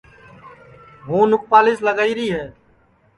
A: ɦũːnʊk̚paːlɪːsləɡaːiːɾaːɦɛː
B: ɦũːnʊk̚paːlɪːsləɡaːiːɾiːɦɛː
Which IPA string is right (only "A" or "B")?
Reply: B